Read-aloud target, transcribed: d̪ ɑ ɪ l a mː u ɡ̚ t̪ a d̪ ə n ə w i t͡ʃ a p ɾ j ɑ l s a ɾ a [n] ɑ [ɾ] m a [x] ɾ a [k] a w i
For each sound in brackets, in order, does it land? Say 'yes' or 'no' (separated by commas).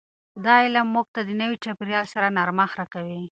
yes, yes, yes, yes